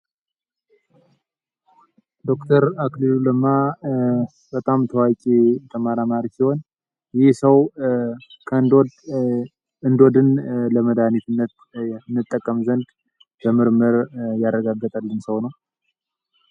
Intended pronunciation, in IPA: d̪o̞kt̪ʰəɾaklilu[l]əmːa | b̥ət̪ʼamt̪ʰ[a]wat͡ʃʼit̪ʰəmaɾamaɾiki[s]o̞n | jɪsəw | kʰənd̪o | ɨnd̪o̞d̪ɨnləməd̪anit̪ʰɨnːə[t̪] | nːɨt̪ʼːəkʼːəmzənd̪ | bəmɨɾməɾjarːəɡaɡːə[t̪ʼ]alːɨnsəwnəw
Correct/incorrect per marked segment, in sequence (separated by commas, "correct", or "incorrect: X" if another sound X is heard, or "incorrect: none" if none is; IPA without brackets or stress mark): correct, incorrect: ə, incorrect: h, correct, correct